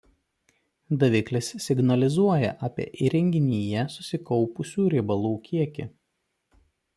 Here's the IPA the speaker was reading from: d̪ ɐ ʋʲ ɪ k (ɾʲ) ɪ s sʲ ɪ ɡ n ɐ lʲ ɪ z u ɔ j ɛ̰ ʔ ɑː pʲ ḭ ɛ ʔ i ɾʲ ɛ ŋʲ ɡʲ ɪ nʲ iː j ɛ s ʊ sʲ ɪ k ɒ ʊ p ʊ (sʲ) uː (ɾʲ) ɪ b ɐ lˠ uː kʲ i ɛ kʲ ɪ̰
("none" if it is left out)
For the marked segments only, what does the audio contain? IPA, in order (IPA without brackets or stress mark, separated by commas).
lʲ, sʲ, ɾʲ